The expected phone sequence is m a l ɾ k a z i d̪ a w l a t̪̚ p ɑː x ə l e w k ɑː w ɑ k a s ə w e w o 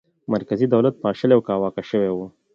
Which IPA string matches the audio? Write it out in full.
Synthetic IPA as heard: m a ɾ k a z i d̪ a w l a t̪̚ p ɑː ʃ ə l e w k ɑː w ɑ k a ʃ ə w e w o